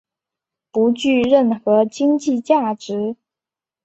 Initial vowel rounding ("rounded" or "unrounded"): rounded